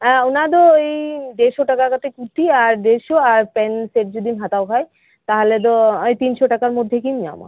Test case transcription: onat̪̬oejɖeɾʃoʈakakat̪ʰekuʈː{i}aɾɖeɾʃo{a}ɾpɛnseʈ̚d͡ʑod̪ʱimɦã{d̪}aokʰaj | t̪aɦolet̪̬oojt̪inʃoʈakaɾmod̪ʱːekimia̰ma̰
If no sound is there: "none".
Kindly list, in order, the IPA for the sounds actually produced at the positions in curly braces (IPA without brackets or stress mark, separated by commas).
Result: i, a, t̪